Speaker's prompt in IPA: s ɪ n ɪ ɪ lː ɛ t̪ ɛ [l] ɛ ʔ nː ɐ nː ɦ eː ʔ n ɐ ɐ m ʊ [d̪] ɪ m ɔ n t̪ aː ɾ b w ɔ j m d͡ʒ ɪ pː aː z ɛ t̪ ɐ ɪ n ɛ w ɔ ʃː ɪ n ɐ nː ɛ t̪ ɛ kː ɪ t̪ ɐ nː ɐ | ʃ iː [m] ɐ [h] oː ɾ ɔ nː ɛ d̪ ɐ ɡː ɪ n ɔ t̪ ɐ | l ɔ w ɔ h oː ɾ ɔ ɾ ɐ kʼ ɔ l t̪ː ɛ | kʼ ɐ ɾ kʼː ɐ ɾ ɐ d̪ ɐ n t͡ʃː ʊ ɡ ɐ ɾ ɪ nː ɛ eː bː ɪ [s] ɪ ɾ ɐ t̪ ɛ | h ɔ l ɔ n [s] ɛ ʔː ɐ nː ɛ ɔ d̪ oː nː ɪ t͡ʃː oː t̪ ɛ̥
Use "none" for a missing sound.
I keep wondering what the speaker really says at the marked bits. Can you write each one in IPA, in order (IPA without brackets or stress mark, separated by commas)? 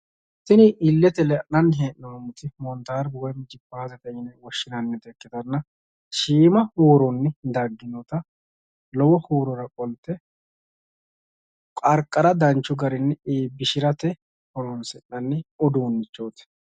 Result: l, t̪, m, h, ʃ, s